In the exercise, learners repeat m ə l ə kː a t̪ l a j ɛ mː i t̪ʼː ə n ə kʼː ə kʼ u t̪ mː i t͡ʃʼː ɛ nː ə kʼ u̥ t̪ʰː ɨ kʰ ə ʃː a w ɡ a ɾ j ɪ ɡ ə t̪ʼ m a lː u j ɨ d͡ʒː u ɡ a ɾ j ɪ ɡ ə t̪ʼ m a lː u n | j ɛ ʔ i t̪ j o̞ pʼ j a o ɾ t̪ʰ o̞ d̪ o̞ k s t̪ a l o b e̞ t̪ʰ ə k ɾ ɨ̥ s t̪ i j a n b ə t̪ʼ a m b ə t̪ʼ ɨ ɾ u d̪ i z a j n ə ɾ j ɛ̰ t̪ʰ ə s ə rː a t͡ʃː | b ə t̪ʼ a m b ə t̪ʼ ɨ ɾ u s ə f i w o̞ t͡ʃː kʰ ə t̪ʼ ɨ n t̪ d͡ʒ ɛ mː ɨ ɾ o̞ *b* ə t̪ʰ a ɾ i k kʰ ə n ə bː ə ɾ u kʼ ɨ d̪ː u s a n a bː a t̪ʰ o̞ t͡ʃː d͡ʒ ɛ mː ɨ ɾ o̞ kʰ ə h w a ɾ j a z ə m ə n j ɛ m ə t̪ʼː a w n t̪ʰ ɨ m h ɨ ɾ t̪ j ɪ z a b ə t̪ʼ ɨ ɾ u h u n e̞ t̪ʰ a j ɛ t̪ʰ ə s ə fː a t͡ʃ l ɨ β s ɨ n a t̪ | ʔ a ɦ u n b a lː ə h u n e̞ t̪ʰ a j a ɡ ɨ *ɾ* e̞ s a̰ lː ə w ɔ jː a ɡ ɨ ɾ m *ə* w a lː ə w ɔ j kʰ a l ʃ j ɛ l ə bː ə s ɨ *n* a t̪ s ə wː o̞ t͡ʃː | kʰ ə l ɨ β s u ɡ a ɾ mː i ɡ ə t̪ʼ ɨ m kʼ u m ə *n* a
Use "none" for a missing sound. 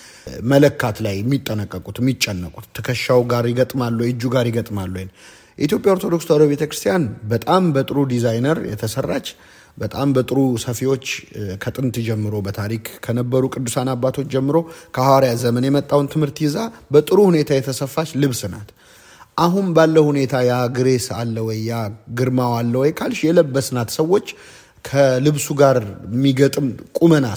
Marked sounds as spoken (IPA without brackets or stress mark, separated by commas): b, ɾ, a, n, n